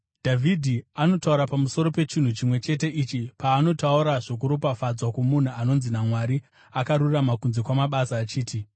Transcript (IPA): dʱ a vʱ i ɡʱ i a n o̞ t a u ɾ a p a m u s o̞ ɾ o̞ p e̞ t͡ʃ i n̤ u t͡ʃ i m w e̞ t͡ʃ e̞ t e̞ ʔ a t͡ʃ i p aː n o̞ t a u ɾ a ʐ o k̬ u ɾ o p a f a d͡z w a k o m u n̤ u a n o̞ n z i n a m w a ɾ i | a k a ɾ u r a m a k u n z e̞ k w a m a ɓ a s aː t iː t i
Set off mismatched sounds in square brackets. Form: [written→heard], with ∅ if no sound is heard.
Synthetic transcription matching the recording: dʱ a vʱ i [ɡʱ→dʱ] i a n o̞ t a u ɾ a p a m u s o̞ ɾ o̞ p e̞ t͡ʃ i n̤ u t͡ʃ i m w e̞ t͡ʃ e̞ t e̞ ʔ [a→i] t͡ʃ i p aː n o̞ t a u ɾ a ʐ o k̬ u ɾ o p a f a d͡z w a k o m u n̤ u a n o̞ n z i n a m w a ɾ i | a k a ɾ u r a m a k u n z e̞ k w a m a ɓ a s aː [t→t͡ʃ] iː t i